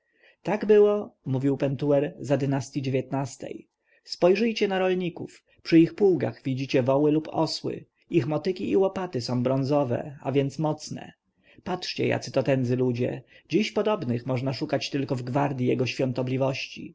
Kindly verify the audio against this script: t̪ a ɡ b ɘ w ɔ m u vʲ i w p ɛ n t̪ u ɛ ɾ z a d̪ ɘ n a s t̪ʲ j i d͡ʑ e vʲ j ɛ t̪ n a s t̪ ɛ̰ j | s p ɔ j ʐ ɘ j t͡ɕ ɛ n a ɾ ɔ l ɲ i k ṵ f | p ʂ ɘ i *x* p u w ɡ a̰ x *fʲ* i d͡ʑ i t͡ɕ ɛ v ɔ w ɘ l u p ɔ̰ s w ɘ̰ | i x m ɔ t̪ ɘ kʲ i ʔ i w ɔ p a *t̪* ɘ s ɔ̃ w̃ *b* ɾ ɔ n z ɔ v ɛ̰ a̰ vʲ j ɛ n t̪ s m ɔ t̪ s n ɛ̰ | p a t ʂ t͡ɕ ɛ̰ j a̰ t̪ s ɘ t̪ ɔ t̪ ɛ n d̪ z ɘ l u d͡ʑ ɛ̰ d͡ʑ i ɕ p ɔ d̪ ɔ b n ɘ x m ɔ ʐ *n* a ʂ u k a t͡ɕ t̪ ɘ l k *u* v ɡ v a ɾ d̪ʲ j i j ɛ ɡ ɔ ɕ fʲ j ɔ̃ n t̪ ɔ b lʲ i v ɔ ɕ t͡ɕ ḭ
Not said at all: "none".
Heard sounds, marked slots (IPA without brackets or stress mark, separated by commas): x, vʲ, t̪, b, n, ɔ